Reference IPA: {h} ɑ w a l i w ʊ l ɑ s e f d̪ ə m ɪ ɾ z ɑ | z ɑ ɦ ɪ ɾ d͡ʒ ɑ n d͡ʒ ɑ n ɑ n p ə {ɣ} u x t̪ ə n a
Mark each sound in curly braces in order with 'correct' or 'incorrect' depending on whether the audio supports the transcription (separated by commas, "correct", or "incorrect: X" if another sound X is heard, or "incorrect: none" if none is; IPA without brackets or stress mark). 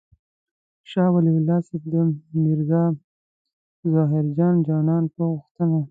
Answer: incorrect: ʃ, correct